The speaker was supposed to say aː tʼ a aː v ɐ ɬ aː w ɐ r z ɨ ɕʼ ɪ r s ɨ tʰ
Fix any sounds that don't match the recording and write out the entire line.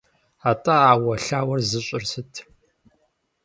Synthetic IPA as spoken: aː tʼ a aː w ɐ ɬ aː w ɐ r z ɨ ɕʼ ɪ r s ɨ tʰ